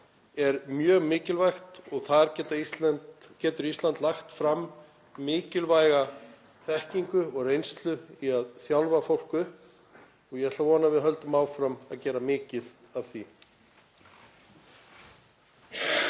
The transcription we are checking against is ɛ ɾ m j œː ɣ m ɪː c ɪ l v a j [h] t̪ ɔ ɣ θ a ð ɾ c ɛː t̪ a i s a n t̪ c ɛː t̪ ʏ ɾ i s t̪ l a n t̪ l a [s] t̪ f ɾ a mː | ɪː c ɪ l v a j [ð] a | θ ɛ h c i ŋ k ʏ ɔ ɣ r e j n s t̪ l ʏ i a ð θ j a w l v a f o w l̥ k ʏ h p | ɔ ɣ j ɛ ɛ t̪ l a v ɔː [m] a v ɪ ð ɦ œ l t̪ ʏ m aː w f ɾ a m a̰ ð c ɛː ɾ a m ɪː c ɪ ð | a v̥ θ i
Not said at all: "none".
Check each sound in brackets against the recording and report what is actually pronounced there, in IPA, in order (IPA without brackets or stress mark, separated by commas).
x, x, ɣ, n